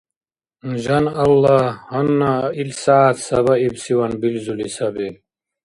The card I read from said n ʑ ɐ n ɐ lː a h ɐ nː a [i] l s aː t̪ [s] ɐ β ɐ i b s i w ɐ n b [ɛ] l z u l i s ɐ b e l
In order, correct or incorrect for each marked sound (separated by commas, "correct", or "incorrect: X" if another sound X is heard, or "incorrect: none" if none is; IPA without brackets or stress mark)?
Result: correct, correct, incorrect: i